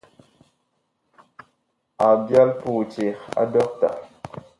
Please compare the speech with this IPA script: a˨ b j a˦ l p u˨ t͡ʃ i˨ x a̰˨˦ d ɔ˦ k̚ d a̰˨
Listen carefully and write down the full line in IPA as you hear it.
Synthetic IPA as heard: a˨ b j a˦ l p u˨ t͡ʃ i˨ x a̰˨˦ d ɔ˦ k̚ t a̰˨